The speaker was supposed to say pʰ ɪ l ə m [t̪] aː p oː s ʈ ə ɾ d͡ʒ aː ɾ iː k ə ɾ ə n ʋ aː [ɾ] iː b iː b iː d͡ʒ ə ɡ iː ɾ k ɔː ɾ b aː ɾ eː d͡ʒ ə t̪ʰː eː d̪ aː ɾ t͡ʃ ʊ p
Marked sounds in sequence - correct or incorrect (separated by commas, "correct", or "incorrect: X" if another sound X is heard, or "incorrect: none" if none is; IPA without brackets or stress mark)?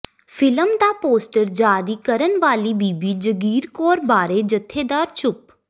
incorrect: d̪, incorrect: l